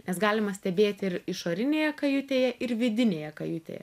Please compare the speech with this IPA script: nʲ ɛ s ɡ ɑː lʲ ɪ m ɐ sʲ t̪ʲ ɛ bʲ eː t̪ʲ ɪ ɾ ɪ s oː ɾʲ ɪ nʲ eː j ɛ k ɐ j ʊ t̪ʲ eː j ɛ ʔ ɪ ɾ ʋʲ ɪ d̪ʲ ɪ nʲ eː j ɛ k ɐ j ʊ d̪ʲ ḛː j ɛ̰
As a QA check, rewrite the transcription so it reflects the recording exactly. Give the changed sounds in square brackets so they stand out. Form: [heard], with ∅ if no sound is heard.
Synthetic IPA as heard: nʲ ɛ s ɡ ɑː lʲ ɪ m ɐ sʲ t̪ʲ ɛ bʲ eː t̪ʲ ɪ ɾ ɪ [ʃ] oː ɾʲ ɪ nʲ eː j ɛ k ɐ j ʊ t̪ʲ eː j ɛ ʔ ɪ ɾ ʋʲ ɪ d̪ʲ ɪ nʲ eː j ɛ k ɐ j ʊ [t̪ʲ] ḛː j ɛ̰

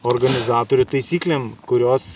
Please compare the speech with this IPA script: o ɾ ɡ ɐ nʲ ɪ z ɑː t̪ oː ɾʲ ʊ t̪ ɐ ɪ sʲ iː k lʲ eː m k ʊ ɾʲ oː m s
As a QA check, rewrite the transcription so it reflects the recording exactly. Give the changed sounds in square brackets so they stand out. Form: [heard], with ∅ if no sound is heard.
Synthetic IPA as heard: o ɾ ɡ ɐ nʲ ɪ z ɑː t̪ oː ɾʲ ʊ t̪ ɐ ɪ sʲ iː k lʲ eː m k ʊ ɾʲ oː [∅] s

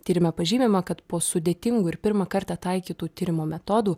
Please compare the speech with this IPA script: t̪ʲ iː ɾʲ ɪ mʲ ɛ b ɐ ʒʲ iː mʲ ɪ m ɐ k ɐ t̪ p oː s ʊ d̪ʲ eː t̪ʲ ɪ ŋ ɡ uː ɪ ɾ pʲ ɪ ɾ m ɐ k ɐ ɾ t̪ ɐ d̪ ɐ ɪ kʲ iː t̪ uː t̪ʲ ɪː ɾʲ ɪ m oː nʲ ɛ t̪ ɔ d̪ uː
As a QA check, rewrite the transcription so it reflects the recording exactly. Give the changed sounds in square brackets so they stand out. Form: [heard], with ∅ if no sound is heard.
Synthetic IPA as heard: t̪ʲ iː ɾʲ ɪ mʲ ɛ [p] ɐ ʒʲ iː mʲ ɪ m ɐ k ɐ t̪ p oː s ʊ d̪ʲ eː t̪ʲ ɪ ŋ ɡ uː ɪ ɾ pʲ ɪ ɾ m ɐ k ɐ ɾ t̪ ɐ [t̪] ɐ ɪ kʲ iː t̪ uː t̪ʲ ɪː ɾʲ ɪ m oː [mʲ] ɛ t̪ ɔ d̪ uː

